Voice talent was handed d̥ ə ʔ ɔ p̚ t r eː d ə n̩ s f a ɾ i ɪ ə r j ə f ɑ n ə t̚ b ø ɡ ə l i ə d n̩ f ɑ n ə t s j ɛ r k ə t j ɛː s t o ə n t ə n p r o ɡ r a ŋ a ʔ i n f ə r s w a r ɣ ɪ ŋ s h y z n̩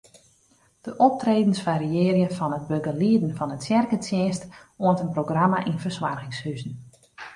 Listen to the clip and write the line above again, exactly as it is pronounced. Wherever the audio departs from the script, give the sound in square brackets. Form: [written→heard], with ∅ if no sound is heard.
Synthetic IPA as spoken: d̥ ə ʔ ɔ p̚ t r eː d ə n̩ s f a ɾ i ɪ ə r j ə f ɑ n ə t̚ b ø ɡ ə l i ə d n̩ f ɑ n ə t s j ɛ r k ə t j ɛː s t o ə n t ə n p r o ɡ r a [ŋ→m] a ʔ i n f ə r s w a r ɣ ɪ ŋ s h y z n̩